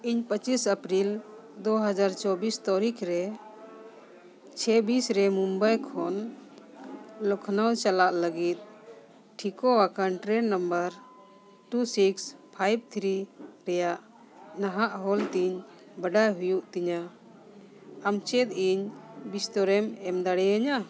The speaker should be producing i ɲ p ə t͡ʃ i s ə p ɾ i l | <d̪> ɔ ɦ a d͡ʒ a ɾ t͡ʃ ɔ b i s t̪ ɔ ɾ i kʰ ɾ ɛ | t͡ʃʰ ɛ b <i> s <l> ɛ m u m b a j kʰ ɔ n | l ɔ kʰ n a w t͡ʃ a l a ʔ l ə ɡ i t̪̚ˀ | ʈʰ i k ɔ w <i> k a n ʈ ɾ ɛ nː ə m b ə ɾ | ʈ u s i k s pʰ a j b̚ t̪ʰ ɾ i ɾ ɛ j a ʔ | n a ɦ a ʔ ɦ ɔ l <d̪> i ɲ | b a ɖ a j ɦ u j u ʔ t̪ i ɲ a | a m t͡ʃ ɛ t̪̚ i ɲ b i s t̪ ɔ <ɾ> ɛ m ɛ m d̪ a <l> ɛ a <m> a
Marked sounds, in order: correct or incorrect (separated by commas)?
correct, correct, incorrect, incorrect, incorrect, correct, incorrect, incorrect